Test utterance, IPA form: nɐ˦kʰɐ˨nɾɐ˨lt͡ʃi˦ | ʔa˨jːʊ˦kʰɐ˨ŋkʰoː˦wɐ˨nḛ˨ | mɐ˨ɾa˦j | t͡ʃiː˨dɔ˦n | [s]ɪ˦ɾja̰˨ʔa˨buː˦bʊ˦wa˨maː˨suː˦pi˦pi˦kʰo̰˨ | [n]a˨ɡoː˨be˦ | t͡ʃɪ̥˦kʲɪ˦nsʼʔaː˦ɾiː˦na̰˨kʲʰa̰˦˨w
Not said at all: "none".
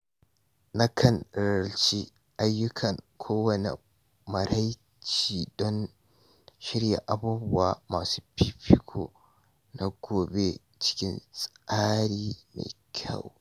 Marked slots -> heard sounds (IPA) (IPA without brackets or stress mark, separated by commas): ʃ, n